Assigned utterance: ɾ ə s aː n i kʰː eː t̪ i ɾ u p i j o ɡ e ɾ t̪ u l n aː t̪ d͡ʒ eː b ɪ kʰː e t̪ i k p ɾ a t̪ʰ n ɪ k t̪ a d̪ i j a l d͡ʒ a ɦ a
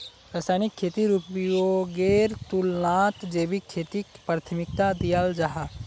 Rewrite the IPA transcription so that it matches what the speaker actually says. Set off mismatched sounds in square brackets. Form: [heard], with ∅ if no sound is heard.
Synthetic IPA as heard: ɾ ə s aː n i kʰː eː t̪ i ɾ u p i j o ɡ e ɾ t̪ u l n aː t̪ d͡ʒ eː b [i] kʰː e t̪ i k p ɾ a t̪ʰ [m] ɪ k t̪ a d̪ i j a l d͡ʒ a ɦ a